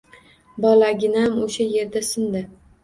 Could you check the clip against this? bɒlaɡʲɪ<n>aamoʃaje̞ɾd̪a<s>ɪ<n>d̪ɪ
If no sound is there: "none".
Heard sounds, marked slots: n, s, n

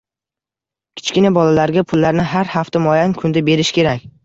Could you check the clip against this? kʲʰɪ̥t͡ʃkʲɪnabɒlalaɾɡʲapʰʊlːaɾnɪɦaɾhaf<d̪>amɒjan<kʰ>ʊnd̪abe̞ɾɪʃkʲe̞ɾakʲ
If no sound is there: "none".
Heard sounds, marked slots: t̪, kʰ

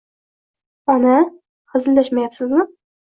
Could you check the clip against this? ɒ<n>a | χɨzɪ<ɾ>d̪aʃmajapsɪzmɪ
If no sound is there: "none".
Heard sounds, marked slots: n, l

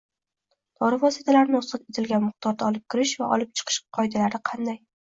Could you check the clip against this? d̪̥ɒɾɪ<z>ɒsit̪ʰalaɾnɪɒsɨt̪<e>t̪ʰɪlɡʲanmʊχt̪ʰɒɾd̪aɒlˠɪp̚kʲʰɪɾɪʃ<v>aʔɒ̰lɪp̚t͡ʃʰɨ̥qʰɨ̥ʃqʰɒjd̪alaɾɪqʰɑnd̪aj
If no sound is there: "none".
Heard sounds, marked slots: v, e, v

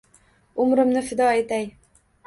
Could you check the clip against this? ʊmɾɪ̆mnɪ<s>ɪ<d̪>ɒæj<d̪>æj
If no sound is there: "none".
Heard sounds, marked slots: f, d̪, t̪

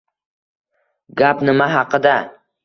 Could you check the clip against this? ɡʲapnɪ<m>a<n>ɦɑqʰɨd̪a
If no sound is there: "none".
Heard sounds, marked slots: m, none

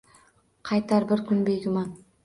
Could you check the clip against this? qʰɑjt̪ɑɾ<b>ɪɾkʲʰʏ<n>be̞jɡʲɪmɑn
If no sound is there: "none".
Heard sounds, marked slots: b, n

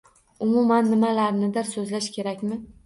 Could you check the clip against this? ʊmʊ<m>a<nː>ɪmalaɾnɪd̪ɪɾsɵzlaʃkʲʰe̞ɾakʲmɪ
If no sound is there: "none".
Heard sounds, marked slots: m, nː

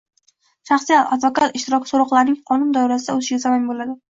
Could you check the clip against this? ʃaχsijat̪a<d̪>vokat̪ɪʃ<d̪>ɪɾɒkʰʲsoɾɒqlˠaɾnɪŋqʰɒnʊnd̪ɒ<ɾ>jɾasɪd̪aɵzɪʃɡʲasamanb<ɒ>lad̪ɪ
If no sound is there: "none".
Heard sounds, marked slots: d̪, t̪, none, o

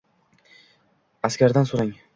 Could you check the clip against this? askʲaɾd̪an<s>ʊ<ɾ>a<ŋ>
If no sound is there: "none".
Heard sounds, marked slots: s, ɾ, ŋ

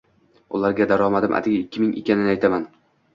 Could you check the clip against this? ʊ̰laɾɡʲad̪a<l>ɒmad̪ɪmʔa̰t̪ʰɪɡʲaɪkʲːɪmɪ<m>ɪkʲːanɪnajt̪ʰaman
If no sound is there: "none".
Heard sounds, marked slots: ɾ, ŋ

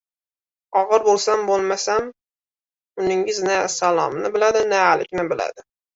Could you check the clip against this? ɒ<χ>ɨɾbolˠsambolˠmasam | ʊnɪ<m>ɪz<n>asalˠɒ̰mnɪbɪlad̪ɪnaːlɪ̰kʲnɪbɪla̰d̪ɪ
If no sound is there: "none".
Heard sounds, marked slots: ʁ, ŋ, n

